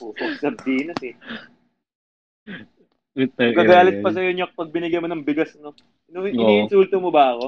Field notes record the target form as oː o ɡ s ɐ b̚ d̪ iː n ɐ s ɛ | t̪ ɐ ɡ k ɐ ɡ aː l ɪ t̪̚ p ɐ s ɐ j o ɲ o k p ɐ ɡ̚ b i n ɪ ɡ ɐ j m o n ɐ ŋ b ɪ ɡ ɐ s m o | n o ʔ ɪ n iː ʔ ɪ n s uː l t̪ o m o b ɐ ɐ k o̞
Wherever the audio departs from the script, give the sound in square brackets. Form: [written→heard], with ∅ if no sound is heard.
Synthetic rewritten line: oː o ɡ s ɐ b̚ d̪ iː n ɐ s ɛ | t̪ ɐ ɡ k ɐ ɡ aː l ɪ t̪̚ p ɐ s ɐ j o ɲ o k p ɐ ɡ̚ b [i→ɪ] n ɪ ɡ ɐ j m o n ɐ ŋ b ɪ ɡ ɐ s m o | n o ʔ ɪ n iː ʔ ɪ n s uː l t̪ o m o b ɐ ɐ k o̞